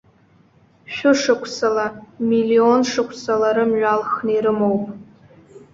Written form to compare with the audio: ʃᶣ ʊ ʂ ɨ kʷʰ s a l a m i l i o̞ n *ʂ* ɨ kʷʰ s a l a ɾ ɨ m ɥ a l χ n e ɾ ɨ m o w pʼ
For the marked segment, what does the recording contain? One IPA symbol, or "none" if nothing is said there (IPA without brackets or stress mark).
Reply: ʂ